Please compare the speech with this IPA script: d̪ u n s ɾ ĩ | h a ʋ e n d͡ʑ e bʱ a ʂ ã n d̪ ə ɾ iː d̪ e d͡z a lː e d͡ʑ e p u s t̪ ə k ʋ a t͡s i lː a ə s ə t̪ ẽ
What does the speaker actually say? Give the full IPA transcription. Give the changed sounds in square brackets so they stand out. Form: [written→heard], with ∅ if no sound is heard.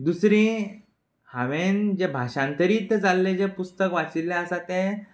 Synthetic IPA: d̪ u [n→∅] s ɾ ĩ | h a ʋ e n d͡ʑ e bʱ a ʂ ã n [d̪→t̪] ə ɾ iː [d̪→t̪] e d͡z a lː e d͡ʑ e p u s t̪ ə k ʋ a t͡s i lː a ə s [ə→a] t̪ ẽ